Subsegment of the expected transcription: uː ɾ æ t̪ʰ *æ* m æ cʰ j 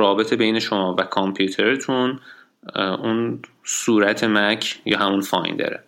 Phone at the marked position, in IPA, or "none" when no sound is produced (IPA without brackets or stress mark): e